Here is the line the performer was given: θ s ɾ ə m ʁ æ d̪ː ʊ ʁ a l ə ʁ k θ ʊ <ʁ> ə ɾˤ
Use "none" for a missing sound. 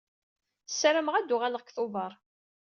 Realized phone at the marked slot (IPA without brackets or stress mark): v